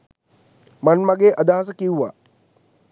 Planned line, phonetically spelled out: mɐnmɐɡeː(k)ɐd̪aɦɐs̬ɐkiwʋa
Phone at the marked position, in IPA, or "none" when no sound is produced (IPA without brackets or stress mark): ʔ